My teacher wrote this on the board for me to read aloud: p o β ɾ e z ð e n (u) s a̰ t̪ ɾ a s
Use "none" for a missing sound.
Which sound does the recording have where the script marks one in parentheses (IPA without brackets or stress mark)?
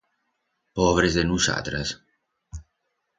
u